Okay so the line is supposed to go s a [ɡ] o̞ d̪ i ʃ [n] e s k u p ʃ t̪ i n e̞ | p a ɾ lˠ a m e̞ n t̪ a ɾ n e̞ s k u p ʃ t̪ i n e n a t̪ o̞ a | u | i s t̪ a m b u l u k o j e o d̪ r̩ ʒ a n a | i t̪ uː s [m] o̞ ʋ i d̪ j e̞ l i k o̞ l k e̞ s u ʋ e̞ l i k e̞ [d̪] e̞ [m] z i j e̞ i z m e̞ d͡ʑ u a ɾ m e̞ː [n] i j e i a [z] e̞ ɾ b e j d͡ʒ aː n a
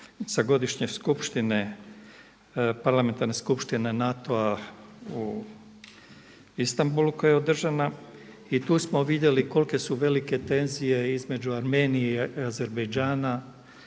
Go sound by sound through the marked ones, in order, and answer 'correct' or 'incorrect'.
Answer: correct, incorrect: ɲ, correct, incorrect: t̪, incorrect: n, correct, correct

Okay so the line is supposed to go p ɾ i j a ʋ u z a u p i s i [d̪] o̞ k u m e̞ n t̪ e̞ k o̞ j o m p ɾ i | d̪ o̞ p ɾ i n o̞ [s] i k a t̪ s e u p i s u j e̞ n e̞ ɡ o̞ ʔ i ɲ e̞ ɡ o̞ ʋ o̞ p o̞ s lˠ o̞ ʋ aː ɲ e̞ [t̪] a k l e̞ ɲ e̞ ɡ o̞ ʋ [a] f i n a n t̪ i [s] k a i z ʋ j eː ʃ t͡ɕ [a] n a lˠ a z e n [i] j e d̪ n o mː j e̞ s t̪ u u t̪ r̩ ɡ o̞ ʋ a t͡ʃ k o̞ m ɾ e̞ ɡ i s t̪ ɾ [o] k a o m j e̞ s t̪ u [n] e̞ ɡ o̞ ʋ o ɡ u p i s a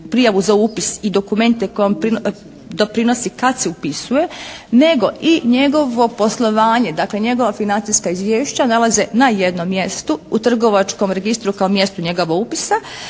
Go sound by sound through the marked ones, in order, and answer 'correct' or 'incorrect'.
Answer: correct, correct, incorrect: d̪, correct, correct, correct, incorrect: a, incorrect: u, incorrect: ɲ

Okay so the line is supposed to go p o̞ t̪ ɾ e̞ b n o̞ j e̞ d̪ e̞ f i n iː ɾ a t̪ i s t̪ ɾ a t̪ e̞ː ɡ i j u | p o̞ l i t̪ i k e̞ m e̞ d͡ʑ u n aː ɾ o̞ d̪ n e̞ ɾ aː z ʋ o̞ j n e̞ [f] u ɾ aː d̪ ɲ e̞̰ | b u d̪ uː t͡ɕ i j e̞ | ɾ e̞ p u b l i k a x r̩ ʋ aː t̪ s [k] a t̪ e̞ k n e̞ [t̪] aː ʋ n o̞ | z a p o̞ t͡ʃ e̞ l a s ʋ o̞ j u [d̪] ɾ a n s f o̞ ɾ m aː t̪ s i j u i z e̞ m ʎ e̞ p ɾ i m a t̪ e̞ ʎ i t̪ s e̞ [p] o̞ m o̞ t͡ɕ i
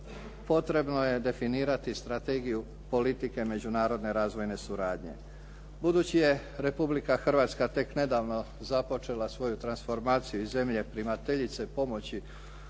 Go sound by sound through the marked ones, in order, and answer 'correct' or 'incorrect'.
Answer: incorrect: s, correct, incorrect: d̪, incorrect: t̪, correct

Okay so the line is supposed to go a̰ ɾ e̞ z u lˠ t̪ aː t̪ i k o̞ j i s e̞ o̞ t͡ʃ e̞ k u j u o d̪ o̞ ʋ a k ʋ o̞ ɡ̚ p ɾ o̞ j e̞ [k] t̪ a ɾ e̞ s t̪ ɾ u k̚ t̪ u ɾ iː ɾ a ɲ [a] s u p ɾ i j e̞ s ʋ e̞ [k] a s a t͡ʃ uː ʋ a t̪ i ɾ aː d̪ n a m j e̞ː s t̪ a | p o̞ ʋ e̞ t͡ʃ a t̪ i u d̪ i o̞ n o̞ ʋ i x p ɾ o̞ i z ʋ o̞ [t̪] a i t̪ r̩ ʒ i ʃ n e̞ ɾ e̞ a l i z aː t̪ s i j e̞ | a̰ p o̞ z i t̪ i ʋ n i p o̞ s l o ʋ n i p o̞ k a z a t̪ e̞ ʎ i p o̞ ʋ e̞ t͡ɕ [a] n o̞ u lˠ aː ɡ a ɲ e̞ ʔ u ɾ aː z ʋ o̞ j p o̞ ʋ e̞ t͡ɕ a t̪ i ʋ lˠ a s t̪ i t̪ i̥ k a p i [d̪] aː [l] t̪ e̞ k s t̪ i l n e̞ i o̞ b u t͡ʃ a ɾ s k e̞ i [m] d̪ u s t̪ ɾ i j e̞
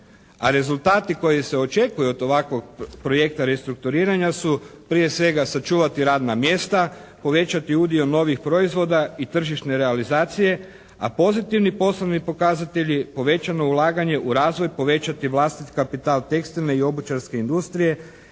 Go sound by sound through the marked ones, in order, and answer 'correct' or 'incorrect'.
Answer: correct, correct, incorrect: ɡ, incorrect: d̪, correct, incorrect: t̪, correct, incorrect: n

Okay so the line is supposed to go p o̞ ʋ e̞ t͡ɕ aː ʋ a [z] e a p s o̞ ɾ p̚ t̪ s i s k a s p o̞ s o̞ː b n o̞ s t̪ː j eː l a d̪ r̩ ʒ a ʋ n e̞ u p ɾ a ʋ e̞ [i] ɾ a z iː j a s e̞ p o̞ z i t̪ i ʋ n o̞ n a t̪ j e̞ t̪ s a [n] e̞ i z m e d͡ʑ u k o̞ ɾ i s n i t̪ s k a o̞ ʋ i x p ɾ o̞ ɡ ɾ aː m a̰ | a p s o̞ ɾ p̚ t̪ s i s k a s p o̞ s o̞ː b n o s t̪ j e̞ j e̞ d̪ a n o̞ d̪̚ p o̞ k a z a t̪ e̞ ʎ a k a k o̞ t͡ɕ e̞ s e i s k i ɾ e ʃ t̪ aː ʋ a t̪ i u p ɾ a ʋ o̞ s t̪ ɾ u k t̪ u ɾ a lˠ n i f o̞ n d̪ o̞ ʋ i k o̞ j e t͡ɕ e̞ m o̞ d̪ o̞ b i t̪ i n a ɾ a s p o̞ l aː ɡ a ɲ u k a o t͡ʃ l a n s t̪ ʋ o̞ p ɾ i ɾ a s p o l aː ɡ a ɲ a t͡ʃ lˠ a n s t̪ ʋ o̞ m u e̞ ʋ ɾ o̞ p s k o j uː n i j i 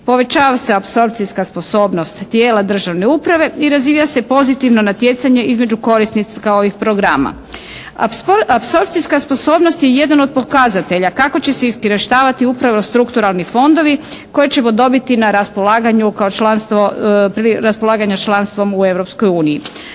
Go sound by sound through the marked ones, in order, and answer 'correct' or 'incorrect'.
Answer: incorrect: s, correct, incorrect: ɲ

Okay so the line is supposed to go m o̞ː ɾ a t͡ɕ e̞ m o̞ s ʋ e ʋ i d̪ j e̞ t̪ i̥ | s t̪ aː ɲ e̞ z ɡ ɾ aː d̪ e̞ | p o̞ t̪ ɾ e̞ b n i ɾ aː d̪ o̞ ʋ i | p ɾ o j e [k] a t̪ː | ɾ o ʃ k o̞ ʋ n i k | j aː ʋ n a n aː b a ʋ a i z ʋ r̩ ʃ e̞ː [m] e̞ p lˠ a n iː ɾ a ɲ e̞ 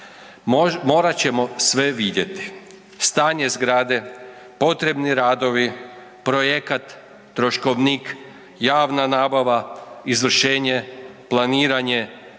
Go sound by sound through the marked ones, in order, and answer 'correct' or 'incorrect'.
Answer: correct, incorrect: ɲ

